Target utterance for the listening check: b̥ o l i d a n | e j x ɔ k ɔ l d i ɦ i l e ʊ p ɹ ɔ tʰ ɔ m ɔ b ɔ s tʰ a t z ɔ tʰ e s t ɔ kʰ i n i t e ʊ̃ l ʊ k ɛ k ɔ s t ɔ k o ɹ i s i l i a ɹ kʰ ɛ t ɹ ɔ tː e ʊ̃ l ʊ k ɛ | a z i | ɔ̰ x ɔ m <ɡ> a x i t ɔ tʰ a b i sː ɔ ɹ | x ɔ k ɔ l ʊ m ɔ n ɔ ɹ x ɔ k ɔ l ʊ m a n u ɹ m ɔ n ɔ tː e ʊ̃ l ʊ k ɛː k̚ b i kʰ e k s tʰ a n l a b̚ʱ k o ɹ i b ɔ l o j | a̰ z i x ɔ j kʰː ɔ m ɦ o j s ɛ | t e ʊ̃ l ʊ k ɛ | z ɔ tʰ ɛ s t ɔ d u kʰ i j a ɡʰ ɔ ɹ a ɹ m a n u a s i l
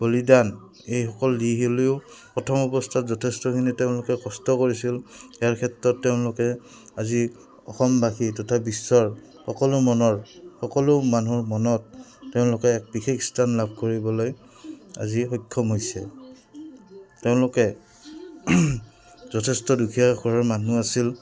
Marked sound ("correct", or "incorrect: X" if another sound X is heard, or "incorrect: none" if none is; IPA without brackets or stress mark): incorrect: b